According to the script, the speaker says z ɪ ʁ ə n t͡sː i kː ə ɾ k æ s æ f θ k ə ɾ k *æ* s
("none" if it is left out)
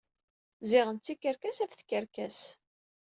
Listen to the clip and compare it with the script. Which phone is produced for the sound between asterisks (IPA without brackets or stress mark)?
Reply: æ